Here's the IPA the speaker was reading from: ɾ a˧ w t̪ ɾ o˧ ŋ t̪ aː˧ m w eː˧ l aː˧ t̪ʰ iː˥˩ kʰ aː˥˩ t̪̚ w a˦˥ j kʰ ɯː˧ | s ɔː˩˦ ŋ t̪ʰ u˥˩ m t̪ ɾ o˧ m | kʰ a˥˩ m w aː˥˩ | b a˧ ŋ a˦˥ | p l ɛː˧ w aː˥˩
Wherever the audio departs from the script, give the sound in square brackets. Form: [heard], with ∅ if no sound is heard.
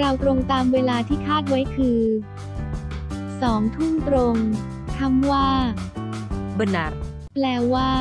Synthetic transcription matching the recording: ɾ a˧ w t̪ ɾ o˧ ŋ t̪ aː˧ m w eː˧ l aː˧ t̪ʰ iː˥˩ kʰ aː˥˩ t̪̚ w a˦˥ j kʰ ɯː˧ | s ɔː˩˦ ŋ t̪ʰ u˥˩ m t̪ ɾ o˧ [ŋ] | kʰ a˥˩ m w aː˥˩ | b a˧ [n] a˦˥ | p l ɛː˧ w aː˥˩